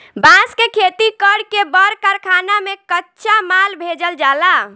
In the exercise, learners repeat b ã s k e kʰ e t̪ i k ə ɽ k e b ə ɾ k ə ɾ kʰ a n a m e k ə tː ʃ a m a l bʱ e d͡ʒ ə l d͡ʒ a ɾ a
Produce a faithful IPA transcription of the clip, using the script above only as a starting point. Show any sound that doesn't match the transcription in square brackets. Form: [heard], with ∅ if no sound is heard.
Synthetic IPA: b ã s k e kʰ e t̪ i k ə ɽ k e b ə ɾ k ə ɾ kʰ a n a m e k ə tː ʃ a m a l bʱ e d͡ʒ ə l d͡ʒ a [l] a